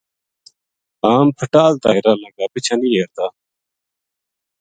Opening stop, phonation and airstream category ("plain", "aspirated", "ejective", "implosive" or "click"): aspirated